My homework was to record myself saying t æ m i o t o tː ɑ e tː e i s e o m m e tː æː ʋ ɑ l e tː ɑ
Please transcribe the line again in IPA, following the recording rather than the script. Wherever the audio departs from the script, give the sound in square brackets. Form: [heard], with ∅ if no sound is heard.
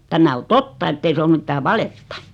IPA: t æ m [æ] o t o tː ɑ e tː e i s e o m m [i] tː æː ʋ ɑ l e tː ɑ